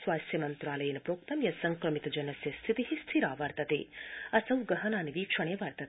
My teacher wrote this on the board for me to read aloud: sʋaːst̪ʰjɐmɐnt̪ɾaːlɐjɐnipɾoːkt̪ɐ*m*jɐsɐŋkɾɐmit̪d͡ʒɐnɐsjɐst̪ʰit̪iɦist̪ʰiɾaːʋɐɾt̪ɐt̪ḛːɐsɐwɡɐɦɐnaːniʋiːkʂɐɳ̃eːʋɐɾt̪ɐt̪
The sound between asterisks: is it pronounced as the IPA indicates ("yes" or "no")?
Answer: yes